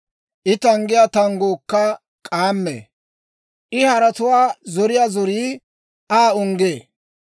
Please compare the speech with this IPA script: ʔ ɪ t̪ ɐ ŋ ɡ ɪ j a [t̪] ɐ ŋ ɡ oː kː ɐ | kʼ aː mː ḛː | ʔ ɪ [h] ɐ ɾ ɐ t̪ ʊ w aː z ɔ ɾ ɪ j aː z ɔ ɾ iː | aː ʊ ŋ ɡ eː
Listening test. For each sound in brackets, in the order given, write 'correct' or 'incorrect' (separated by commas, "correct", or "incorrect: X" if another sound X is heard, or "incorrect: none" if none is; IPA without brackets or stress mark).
correct, correct